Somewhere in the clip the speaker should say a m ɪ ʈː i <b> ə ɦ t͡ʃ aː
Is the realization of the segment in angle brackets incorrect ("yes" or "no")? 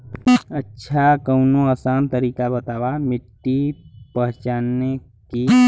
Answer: yes